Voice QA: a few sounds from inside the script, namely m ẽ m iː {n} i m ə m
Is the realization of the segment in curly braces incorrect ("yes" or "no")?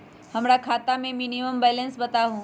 no